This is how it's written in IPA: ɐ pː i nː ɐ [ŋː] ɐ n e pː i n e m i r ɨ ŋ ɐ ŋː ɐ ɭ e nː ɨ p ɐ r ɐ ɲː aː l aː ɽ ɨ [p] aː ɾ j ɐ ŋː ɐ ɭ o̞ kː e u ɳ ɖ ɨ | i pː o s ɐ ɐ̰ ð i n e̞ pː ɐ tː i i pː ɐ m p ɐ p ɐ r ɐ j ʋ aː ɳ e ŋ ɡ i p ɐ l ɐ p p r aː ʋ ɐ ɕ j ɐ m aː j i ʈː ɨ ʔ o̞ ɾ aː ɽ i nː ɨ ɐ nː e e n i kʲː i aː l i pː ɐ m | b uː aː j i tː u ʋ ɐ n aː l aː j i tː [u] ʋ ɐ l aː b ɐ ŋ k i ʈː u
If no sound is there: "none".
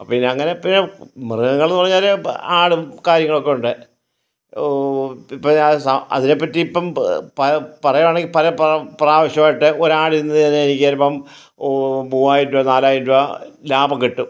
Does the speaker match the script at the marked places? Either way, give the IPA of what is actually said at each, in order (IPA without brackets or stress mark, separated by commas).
ŋː, k, u